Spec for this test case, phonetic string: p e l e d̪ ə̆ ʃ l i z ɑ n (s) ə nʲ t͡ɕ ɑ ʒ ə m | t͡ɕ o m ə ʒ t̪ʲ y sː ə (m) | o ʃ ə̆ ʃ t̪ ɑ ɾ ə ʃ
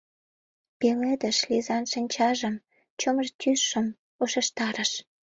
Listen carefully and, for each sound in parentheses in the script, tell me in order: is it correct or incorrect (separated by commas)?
incorrect, correct